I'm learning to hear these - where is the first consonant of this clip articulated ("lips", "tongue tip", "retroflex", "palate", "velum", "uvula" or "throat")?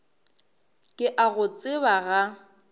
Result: velum